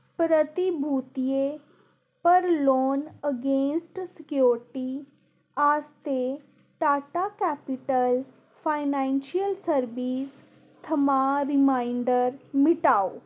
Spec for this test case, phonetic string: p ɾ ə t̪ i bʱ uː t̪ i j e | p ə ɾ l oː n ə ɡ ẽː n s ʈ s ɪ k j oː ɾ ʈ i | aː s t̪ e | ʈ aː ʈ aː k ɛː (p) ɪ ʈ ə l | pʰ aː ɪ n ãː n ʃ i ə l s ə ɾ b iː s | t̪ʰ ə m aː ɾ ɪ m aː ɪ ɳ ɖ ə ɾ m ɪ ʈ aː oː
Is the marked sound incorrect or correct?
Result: correct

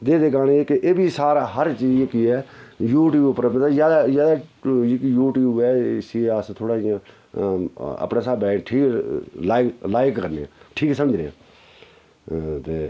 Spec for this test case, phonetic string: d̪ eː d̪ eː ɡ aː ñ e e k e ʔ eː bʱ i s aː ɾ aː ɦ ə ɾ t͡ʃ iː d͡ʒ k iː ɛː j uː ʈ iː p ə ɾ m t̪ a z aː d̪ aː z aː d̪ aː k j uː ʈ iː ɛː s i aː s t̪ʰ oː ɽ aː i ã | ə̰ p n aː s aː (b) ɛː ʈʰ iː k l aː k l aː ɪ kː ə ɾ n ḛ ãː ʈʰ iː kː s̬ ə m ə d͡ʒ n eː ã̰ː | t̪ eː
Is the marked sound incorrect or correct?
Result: correct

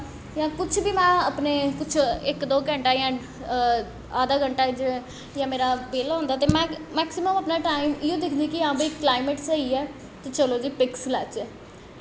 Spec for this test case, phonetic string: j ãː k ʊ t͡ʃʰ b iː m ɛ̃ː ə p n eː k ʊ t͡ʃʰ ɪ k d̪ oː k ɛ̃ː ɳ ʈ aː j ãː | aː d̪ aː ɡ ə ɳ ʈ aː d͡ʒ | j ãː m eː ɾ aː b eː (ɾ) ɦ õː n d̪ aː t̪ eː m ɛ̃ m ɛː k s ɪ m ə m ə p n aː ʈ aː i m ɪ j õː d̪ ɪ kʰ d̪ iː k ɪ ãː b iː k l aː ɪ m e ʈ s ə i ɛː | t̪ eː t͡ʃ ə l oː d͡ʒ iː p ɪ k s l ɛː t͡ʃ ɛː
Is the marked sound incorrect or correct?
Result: incorrect: l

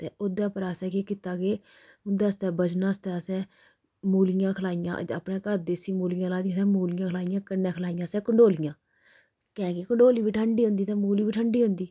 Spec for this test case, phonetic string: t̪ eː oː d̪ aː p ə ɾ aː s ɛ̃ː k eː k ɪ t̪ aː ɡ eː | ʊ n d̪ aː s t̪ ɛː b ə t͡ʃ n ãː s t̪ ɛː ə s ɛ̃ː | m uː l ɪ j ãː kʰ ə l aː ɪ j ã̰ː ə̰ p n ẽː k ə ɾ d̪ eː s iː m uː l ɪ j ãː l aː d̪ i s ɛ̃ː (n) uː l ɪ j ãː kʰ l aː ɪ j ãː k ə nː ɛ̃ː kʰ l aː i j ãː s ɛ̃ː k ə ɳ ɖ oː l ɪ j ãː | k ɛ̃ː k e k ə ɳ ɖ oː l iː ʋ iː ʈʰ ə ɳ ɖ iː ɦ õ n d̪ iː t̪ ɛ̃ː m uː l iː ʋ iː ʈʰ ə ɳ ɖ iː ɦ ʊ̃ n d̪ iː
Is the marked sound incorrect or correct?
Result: incorrect: m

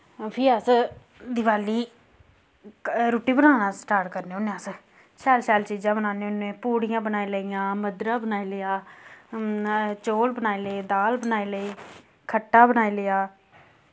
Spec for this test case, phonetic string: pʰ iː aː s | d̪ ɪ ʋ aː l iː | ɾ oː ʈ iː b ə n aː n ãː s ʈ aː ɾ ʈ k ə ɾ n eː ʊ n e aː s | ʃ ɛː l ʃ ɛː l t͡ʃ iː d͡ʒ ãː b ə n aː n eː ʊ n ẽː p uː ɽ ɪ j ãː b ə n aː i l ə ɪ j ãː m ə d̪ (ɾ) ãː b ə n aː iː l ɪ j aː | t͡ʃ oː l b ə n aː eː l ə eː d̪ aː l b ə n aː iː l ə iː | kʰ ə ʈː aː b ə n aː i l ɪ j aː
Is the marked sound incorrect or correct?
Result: correct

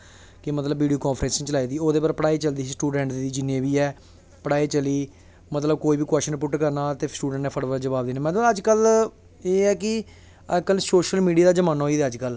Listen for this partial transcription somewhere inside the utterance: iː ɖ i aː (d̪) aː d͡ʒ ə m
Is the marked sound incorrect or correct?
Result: correct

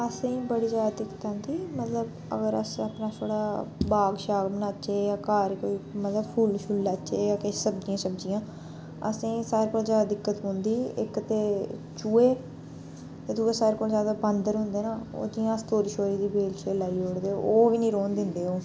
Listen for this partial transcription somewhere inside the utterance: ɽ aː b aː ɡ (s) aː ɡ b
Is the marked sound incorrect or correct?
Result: incorrect: ʃ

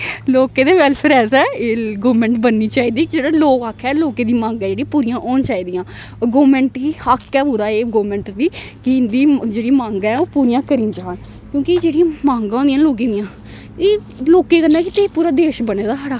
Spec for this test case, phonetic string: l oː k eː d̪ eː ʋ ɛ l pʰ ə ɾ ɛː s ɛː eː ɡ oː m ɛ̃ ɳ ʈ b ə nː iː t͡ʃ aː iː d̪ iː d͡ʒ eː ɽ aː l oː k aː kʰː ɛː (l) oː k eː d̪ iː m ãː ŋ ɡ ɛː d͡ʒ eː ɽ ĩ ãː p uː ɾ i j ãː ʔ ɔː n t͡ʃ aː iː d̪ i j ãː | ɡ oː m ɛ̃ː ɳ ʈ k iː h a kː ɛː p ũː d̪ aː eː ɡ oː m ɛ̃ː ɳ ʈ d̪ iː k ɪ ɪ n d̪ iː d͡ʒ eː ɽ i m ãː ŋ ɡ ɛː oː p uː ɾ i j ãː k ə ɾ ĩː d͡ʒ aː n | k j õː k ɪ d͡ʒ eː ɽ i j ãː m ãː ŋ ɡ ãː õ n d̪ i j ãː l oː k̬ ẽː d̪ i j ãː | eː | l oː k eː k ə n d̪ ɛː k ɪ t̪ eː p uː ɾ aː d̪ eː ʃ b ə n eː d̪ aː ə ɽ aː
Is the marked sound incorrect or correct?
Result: correct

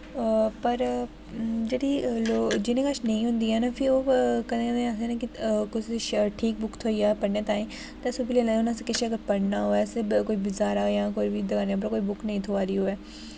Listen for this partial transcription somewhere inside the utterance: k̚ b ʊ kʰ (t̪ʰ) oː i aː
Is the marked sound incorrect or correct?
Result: correct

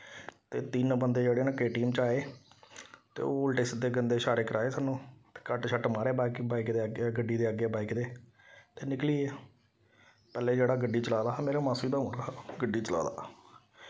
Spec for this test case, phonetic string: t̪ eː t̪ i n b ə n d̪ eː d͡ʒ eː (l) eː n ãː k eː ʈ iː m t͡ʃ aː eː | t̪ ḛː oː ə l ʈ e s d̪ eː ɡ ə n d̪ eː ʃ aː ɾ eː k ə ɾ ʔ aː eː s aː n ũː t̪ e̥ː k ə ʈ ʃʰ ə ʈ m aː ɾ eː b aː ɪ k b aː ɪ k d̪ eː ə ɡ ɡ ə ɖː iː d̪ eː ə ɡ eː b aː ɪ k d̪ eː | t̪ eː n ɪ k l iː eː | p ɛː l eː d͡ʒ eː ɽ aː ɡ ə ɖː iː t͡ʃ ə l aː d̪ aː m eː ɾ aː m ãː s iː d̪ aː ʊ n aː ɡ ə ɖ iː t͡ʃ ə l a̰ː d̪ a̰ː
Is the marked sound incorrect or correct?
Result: incorrect: ɽ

